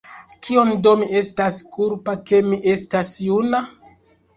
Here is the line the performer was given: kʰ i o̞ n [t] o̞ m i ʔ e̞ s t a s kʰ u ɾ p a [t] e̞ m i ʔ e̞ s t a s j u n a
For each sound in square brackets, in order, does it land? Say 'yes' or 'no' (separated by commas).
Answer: no, no